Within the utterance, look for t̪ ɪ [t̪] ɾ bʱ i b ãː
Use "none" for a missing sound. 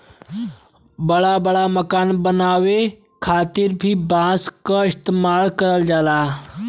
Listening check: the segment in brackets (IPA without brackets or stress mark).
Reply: none